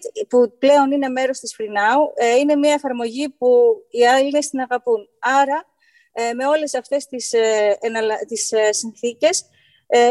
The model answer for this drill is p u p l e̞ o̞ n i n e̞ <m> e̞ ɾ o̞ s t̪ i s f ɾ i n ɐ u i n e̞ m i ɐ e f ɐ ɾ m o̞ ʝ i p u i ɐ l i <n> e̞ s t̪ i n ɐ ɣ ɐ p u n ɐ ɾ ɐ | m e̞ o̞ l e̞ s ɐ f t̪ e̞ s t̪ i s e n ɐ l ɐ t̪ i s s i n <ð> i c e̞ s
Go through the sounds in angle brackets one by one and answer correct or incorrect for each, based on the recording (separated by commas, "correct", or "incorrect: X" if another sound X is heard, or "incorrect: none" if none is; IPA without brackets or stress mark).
correct, correct, incorrect: θ